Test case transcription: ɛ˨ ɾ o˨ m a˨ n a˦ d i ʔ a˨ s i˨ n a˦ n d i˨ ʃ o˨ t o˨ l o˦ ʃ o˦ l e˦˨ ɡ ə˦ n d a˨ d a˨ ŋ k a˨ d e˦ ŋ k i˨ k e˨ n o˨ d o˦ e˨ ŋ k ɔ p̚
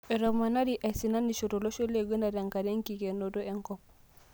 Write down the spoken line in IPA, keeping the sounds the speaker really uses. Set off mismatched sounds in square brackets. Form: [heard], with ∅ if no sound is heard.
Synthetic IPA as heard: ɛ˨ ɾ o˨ m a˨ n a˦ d i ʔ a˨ s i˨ n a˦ n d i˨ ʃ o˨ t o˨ l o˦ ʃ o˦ l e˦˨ ɡ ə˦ n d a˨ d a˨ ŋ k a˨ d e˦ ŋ k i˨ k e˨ n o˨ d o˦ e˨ ŋ k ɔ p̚